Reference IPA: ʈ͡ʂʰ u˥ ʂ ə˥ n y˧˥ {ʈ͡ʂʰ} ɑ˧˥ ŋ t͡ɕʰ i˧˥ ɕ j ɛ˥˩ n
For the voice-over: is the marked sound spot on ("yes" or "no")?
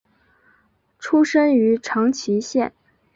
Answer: yes